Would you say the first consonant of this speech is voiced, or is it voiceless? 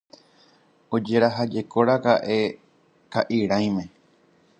voiced